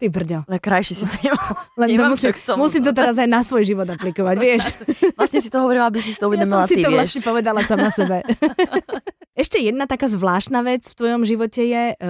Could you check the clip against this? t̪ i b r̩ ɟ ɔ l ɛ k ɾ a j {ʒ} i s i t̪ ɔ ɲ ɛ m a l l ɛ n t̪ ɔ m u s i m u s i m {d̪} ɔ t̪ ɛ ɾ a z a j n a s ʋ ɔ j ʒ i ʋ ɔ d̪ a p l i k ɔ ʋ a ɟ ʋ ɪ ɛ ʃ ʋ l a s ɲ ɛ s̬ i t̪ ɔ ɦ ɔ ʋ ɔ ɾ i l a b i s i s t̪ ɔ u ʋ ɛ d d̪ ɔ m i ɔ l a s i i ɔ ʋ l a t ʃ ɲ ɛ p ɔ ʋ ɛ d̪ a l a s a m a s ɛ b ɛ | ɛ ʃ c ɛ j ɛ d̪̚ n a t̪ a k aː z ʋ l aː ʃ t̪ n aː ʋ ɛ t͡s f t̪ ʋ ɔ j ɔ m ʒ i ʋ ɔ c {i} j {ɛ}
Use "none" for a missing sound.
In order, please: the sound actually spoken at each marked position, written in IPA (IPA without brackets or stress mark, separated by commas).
ʃ, t̪, ɛ, ɛ